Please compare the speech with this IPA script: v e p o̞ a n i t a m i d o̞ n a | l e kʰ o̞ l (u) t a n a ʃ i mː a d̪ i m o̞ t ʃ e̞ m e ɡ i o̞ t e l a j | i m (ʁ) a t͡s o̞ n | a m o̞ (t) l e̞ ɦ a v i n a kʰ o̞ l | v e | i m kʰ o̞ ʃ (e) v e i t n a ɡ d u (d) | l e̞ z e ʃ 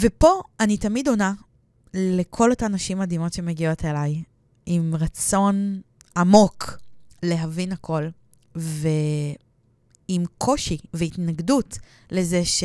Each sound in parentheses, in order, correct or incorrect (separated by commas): incorrect, correct, incorrect, incorrect, incorrect